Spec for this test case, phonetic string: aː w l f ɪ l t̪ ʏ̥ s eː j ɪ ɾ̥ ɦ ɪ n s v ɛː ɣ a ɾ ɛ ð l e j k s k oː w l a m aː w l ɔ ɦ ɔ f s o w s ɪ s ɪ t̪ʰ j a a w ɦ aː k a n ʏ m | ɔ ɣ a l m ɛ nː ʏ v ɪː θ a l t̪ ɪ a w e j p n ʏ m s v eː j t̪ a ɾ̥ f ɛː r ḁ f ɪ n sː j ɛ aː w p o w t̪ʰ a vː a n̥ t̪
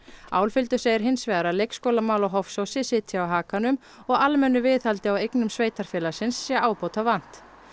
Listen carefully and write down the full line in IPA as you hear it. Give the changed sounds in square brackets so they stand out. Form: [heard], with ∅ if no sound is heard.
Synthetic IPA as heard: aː w l f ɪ l t̪ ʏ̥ s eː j ɪ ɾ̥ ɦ ɪ n s v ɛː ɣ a ɾ [a] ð l e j k s k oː w l a m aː w l ɔ ɦ ɔ f s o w s ɪ s ɪ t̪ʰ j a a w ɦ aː k a n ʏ m | ɔ ɣ a l m ɛ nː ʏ v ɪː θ a l t̪ ɪ a w e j [k] n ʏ m s v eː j t̪ a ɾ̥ f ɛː [l] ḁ [s] ɪ n sː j ɛ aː w p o w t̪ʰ a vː a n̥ t̪

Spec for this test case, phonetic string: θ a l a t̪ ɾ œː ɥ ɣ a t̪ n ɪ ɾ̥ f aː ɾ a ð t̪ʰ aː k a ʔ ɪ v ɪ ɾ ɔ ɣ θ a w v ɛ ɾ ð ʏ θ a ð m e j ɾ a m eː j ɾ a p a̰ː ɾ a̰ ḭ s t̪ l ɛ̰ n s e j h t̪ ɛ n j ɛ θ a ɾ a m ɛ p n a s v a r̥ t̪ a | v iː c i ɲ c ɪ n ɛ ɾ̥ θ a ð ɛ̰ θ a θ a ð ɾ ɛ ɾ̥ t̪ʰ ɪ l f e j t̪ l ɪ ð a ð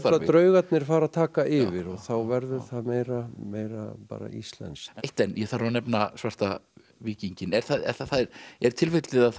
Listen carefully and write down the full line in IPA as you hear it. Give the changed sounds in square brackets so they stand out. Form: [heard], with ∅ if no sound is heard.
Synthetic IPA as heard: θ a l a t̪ ɾ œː ɥ ɣ a t̪ n ɪ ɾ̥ f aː ɾ a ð t̪ʰ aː k a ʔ ɪ v ɪ ɾ ɔ ɣ θ a w v ɛ ɾ ð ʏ θ a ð m e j ɾ a m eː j ɾ a p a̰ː ɾ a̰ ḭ s t̪ l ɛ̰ n s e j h t̪ ɛ n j ɛ θ a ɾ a [n] ɛ p n a s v a r̥ t̪ a | v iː c i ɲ c ɪ n ɛ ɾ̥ θ a ð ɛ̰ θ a θ a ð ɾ ɛ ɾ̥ t̪ʰ ɪ l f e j t̪ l ɪ ð a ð

